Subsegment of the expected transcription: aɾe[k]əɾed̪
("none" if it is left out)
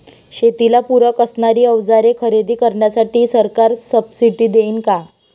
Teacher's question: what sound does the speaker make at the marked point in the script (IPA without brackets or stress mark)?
kʰ